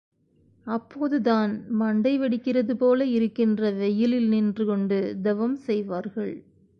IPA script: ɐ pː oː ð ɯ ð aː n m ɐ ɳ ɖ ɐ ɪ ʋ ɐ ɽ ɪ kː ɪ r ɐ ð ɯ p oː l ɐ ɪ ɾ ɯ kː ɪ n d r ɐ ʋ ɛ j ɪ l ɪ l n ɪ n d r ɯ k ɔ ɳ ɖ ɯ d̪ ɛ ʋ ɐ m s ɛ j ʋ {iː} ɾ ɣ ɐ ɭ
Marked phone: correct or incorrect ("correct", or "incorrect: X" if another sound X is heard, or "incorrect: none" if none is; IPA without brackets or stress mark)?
incorrect: aː